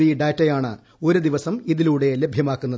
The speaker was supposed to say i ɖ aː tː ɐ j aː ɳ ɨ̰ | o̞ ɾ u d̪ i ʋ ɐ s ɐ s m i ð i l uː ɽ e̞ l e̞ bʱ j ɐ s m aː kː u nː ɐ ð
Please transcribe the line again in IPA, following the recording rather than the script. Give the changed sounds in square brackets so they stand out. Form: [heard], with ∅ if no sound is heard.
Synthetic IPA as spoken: i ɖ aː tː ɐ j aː ɳ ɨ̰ | o̞ ɾ u d̪ i ʋ ɐ s ɐ [∅] m i ð i l uː ɽ e̞ l e̞ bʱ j ɐ [∅] m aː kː u nː ɐ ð